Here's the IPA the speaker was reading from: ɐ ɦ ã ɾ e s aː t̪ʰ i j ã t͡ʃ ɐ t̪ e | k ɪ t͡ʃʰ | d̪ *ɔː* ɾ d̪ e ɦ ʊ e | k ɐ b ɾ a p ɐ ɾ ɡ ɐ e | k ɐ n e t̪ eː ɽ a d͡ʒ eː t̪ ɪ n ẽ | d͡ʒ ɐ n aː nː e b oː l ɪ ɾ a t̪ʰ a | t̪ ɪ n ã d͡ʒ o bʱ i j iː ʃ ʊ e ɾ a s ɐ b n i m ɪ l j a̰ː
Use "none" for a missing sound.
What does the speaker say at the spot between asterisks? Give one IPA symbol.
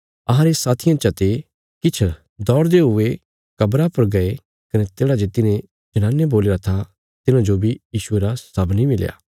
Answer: ɔː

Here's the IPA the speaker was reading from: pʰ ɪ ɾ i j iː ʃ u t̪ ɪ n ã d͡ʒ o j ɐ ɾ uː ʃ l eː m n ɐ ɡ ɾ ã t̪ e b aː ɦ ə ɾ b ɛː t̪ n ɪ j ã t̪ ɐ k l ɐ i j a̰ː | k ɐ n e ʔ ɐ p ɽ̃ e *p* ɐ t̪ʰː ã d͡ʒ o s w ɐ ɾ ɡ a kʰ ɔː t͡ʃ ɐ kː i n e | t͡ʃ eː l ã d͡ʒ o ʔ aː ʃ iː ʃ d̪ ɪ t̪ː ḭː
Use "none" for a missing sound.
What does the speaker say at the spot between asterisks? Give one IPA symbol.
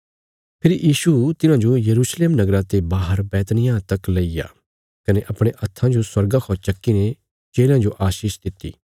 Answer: ʔ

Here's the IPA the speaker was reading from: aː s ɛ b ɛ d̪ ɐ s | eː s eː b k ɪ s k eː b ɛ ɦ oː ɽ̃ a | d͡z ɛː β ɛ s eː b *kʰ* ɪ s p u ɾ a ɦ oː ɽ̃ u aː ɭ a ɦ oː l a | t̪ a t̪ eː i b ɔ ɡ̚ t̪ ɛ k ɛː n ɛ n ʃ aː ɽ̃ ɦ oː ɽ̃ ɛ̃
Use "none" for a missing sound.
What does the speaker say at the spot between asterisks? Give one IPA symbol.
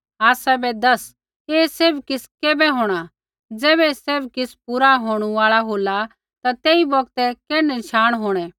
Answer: k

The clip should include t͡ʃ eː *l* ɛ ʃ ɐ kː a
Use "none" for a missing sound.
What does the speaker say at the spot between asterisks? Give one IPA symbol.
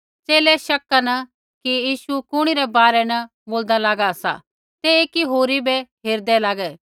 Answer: l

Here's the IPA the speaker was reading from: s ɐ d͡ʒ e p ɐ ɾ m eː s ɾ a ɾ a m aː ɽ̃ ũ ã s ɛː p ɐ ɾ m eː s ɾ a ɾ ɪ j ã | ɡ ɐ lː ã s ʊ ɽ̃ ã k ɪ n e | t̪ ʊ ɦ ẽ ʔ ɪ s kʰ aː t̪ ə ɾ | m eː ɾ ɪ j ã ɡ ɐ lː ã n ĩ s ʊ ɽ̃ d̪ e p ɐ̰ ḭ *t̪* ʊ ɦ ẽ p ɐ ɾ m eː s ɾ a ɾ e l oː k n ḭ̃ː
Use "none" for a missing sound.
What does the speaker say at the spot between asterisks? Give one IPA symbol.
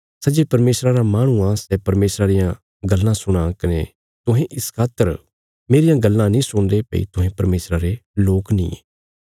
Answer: t̪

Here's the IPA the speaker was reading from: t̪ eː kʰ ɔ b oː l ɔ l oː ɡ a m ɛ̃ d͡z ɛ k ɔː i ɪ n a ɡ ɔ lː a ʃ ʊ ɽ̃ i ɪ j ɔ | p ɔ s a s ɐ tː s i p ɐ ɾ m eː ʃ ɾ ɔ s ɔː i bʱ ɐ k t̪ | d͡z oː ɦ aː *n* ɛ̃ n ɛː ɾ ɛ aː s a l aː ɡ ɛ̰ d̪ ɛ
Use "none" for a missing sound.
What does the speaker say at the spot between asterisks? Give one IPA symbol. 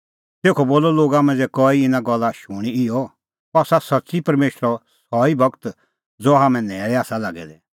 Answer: m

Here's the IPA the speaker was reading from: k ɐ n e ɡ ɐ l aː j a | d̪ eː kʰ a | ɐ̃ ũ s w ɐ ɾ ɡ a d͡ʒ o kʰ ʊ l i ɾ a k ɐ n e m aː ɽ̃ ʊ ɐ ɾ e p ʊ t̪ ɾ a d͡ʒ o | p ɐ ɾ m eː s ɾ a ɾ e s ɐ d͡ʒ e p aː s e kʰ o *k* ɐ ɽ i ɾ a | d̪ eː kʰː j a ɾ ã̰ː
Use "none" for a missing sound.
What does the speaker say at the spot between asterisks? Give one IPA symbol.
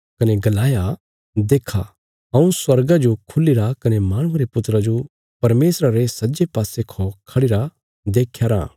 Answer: kʰ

